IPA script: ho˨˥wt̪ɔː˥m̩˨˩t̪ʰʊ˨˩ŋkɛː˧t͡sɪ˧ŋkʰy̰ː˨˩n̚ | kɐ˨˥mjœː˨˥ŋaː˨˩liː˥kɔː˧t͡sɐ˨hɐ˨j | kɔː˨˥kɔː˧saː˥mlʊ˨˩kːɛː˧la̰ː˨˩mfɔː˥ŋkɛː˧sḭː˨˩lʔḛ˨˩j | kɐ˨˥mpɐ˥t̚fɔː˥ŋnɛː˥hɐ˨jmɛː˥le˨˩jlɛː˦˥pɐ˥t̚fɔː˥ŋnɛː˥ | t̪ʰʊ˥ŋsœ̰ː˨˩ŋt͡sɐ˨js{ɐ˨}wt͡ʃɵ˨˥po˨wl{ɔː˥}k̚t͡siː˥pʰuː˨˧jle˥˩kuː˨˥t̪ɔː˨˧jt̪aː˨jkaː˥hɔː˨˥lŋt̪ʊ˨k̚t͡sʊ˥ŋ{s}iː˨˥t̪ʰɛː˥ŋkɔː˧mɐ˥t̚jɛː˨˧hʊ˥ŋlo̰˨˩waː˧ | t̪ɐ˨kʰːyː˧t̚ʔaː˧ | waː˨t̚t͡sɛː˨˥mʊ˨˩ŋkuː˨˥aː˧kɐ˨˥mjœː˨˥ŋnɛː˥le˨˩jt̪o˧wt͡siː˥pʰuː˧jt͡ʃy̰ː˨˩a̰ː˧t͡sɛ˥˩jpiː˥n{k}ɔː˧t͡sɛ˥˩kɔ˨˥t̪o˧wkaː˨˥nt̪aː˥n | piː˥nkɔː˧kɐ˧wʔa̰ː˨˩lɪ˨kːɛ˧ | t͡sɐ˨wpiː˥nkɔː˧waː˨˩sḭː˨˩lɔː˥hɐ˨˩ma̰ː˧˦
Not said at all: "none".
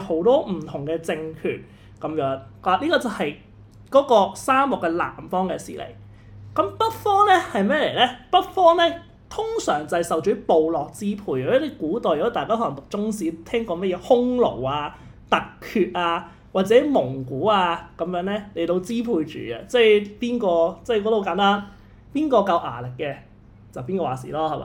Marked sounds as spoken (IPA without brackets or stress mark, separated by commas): ɐ˨, ɔː˨, s, k